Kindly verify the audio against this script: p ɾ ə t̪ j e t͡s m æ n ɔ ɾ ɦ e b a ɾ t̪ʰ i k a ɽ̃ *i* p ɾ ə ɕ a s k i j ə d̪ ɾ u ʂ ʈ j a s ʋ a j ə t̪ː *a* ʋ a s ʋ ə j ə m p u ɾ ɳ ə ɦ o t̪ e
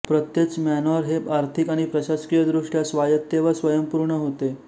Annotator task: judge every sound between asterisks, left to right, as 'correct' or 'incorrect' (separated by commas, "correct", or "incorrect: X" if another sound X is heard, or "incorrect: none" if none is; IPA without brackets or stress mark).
correct, incorrect: e